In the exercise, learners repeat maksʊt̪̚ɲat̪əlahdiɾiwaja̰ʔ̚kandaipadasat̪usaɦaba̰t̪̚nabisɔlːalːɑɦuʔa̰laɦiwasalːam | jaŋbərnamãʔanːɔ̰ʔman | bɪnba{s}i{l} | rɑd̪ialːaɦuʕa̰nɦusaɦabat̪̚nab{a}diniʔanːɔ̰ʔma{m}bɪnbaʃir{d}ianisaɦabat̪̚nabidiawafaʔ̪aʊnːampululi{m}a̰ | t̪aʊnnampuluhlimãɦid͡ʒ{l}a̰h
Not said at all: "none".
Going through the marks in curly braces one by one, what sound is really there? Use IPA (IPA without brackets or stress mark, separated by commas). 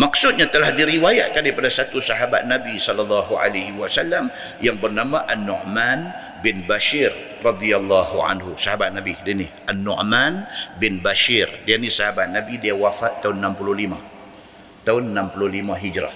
ʃ, r, i, n, d, m, ɾ